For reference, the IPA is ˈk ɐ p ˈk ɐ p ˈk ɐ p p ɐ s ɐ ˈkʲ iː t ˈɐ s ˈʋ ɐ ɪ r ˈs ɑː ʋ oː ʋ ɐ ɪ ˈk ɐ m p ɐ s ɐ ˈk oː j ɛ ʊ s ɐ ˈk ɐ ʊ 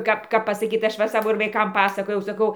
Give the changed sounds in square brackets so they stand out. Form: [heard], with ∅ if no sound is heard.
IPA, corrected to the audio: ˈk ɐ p ˈk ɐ p ˈk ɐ p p ɐ s ɐ ˈkʲ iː t ˈɐ [ʃ] ˈʋ ɐ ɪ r ˈs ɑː ʋ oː ʋ ɐ ɪ ˈk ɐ m p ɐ s ɐ ˈk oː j ɛ ʊ s ɐ ˈk ɐ ʊ